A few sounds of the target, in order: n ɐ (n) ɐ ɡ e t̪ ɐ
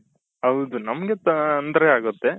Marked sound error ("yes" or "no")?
yes